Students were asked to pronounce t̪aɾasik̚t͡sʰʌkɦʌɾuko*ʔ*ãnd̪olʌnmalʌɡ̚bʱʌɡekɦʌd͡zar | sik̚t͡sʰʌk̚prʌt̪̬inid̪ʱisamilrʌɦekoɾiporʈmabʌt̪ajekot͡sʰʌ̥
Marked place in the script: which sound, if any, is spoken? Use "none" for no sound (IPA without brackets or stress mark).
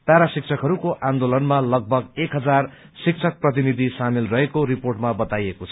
ʔ